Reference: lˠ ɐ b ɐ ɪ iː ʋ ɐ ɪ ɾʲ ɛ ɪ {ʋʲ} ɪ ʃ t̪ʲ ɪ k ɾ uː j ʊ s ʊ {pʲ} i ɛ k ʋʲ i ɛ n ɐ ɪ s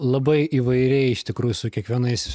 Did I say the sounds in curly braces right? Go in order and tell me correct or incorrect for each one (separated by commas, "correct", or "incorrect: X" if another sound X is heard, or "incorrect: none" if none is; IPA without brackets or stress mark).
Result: incorrect: none, incorrect: kʲ